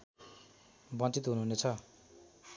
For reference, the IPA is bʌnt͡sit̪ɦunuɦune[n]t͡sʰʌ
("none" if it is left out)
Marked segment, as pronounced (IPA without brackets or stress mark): none